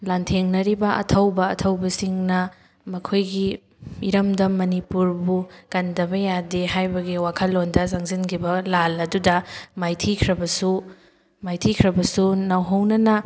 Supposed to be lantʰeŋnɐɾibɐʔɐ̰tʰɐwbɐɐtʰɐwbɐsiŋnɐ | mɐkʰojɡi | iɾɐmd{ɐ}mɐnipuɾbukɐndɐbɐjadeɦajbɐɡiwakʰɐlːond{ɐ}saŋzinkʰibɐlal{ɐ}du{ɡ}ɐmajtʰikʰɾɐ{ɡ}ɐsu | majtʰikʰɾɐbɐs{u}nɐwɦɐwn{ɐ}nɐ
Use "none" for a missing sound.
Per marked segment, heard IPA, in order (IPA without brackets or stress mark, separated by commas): ɐ, ɐ, ɐ, d, b, u, ɐ